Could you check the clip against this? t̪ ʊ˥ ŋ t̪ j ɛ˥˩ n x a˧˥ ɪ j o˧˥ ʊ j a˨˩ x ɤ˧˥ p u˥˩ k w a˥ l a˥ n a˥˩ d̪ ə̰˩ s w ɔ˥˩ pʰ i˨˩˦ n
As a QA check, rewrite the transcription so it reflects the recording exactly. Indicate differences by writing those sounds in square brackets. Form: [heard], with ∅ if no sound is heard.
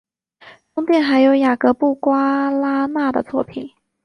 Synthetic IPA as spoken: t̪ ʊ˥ ŋ t̪ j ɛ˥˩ n x a˧˥ ɪ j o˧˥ ʊ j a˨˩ [k] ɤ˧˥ p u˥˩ k w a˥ l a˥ n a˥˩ d̪ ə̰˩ [t͡s] w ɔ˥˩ pʰ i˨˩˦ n